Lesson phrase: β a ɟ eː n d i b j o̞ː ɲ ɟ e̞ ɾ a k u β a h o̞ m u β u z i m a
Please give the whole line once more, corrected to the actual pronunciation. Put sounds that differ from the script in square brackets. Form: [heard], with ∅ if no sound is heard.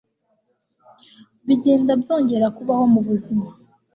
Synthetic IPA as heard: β [i] ɟ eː n d [a] b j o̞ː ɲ ɟ e̞ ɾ a k u β a h o̞ m u β u z i m a